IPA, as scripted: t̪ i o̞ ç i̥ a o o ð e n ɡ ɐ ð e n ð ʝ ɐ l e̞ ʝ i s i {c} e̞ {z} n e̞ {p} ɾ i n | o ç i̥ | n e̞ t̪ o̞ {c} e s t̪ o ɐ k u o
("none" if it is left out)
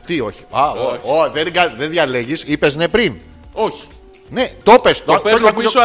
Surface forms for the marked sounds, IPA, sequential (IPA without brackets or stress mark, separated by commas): p, z, p, p